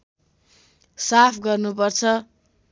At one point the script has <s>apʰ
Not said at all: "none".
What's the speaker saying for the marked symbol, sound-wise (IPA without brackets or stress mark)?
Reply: s